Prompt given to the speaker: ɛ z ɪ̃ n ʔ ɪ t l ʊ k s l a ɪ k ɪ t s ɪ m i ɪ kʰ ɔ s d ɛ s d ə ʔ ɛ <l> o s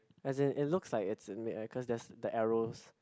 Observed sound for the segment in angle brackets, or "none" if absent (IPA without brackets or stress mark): ɹ